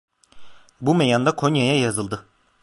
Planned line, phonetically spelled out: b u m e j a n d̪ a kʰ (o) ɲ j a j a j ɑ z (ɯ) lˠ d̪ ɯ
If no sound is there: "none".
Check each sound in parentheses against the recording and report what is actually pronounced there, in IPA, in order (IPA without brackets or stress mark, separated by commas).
o, ɯ